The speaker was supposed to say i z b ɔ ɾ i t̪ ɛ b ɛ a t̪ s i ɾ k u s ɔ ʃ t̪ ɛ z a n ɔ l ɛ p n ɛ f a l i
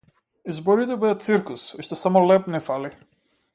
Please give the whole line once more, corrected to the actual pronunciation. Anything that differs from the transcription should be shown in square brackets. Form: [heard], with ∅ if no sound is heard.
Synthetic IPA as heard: i z b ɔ ɾ i t̪ ɛ b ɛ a t̪ s i ɾ k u s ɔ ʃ t̪ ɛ [s] a [m] ɔ l ɛ p n ɛ f a l i